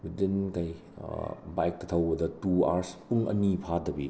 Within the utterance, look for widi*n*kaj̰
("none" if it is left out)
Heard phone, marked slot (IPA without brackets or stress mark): n